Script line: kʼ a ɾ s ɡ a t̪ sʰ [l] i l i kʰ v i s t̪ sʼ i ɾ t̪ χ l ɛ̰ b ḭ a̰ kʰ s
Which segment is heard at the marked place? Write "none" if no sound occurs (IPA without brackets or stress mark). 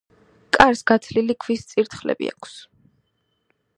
l